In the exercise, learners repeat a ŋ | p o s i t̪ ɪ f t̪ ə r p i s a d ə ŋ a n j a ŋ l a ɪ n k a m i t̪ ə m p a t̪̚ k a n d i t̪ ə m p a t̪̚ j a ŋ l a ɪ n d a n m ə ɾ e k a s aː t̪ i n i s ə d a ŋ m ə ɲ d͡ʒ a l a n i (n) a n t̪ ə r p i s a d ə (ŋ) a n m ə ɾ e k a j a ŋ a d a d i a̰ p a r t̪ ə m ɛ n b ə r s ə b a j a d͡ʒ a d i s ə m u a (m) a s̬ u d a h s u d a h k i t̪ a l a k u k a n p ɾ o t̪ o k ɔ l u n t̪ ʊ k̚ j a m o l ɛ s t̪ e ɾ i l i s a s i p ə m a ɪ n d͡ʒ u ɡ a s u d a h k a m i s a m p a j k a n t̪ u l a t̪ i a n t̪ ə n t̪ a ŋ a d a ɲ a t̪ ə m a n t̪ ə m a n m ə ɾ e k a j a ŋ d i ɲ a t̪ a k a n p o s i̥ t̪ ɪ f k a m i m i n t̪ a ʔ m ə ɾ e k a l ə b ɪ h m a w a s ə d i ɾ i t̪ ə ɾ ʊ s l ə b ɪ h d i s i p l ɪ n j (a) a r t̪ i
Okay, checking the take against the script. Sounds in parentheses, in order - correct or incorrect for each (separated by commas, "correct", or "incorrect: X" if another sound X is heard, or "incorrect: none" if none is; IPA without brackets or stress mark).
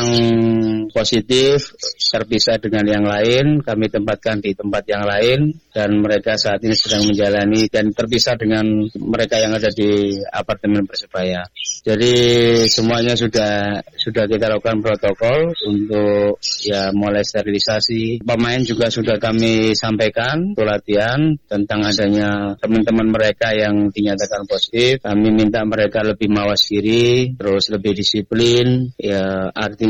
incorrect: d, correct, incorrect: ɲ, correct